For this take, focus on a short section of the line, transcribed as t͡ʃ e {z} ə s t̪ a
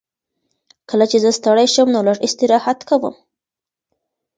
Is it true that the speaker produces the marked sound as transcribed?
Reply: yes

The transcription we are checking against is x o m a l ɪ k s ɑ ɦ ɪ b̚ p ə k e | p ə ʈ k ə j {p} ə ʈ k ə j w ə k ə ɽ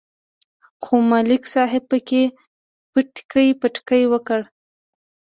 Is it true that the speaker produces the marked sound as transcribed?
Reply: yes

